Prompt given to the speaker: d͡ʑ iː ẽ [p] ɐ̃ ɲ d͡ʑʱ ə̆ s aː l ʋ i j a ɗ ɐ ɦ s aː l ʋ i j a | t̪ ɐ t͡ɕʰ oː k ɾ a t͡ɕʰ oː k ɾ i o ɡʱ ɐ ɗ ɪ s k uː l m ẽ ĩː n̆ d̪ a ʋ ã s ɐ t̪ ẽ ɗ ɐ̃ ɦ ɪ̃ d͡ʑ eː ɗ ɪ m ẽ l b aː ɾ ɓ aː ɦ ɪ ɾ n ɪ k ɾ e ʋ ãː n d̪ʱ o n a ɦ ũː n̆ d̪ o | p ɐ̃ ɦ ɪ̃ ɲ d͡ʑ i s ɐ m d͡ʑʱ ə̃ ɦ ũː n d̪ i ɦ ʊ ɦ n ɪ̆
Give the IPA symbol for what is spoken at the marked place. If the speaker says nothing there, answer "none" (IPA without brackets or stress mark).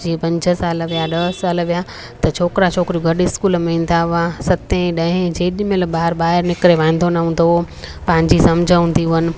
p